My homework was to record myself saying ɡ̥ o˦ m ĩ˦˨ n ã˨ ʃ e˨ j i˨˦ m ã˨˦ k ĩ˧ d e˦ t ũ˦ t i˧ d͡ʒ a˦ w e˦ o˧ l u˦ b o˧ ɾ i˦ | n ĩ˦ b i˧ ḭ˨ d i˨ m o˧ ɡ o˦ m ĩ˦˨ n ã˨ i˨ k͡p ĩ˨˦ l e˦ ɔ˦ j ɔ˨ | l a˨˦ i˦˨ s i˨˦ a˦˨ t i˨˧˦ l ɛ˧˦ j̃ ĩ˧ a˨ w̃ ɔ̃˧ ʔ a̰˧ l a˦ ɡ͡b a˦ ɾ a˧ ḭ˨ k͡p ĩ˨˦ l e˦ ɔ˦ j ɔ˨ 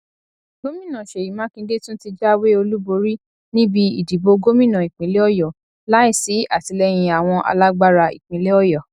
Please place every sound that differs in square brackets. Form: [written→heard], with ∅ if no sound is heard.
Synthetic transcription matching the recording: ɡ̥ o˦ m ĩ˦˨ n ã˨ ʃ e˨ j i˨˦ m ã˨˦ k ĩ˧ d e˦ t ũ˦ t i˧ d͡ʒ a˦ w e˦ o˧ l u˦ b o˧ ɾ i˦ | n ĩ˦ b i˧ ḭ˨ d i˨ [m→b] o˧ ɡ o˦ m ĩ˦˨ n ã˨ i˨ k͡p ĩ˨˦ l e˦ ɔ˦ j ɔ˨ | l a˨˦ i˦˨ s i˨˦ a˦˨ t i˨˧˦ l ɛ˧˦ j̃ ĩ˧ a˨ w̃ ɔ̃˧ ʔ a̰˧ l a˦ ɡ͡b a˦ ɾ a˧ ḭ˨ k͡p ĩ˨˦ l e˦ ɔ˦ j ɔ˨